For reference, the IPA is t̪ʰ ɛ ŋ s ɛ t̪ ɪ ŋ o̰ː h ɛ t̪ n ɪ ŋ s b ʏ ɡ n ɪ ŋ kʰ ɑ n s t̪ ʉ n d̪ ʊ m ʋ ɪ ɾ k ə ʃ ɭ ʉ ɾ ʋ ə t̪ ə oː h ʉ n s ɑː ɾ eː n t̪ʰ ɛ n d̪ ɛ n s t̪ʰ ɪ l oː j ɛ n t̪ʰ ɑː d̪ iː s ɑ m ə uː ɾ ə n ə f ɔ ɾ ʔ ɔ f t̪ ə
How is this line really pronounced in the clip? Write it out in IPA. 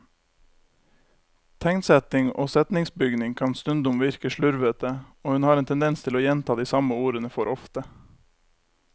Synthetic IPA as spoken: t̪ʰ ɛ ŋ s ɛ t̪ ɪ ŋ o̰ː s ɛ t̪ n ɪ ŋ s b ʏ ɡ n ɪ ŋ kʰ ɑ n s t̪ ʉ n d̪ ʊ m ʋ ɪ ɾ k ə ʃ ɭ ʉ ɾ ʋ ə t̪ ə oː h ʉ n h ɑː ɾ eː n t̪ʰ ɛ n d̪ ɛ n s t̪ʰ ɪ l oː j ɛ n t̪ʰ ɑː d̪ iː s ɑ m ə uː ɾ ə n ə f ɔ ɾ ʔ ɔ f t̪ ə